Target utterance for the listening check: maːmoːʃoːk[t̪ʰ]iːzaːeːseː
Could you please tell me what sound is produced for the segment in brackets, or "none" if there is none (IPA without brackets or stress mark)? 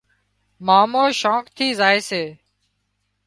t̪ʰ